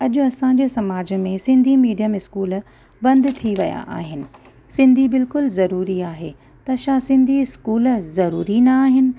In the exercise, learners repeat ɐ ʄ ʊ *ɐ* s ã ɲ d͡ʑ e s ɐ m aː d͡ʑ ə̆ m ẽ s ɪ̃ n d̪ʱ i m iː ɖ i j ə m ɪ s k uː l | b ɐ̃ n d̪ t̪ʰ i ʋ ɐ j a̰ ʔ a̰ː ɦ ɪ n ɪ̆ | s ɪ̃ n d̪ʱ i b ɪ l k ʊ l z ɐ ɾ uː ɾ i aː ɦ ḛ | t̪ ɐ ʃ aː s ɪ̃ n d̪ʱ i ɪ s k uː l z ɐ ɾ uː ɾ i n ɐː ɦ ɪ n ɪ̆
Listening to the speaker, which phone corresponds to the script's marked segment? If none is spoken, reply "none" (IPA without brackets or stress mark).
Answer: ɐ